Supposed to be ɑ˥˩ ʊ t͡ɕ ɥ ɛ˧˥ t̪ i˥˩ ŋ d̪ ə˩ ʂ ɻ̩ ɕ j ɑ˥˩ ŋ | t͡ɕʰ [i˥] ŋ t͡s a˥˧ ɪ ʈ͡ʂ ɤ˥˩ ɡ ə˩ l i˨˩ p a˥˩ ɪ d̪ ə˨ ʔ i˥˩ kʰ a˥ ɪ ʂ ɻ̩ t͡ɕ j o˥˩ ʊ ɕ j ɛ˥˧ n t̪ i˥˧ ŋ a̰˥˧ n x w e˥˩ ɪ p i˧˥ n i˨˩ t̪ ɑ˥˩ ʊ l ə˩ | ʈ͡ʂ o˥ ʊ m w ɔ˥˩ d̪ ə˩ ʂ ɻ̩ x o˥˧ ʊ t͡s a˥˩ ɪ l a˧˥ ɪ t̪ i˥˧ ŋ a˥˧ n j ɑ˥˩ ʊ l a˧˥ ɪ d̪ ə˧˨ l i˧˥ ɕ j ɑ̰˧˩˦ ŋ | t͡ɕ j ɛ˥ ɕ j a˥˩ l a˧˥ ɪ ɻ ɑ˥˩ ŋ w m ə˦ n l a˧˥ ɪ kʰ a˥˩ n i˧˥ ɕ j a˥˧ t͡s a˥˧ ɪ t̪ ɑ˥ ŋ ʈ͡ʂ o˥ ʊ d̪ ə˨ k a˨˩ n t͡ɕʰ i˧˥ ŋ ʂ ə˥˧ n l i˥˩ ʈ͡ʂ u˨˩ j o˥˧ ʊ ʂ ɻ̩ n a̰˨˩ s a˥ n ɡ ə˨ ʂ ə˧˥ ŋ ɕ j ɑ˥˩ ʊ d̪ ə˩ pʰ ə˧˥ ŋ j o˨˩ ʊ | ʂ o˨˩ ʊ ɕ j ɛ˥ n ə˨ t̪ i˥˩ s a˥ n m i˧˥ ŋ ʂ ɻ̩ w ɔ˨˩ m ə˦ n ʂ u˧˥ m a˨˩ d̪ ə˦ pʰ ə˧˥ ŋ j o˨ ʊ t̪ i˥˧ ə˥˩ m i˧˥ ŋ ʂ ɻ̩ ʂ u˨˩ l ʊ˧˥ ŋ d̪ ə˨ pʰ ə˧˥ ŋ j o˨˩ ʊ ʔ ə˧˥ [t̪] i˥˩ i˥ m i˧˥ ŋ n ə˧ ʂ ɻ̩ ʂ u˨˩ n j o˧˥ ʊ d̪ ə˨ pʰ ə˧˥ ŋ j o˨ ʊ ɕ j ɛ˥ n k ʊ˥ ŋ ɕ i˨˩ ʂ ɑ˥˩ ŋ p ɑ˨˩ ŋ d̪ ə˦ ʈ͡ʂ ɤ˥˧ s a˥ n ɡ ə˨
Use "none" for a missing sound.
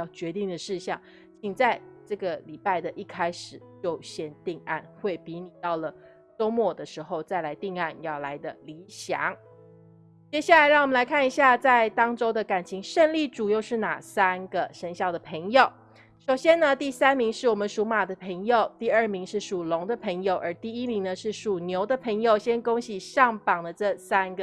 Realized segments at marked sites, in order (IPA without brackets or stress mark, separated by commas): i˨˩, t̪